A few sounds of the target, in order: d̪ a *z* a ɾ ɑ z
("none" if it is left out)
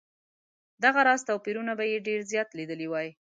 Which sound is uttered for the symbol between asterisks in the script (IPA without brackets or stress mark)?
ɣ